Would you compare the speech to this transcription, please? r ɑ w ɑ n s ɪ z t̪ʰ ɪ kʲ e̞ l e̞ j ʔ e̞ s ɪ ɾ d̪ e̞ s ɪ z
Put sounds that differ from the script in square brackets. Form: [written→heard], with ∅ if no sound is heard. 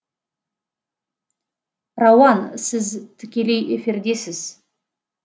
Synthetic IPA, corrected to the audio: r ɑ w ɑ n s ɪ z t̪ʰ ɪ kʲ e̞ l e̞ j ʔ e̞ [s→f] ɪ ɾ d̪ e̞ s ɪ z